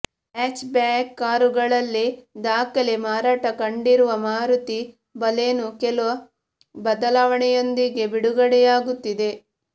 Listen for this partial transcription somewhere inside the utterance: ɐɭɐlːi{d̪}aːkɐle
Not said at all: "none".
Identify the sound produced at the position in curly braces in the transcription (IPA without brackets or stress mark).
d̪